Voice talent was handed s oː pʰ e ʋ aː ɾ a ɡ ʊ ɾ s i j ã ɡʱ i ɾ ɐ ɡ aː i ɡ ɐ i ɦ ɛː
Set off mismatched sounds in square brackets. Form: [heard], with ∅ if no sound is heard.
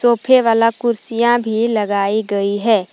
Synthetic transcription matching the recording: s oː pʰ e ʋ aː [l] a [k] ʊ ɾ s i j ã [bʱ] i [l] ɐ ɡ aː i ɡ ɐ i ɦ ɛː